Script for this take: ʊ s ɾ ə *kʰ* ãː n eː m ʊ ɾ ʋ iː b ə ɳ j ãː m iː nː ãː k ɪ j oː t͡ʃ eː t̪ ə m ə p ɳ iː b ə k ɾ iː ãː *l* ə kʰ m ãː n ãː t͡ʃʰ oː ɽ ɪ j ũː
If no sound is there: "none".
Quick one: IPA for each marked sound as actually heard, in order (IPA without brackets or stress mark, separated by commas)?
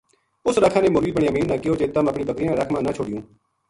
kʰ, ɾ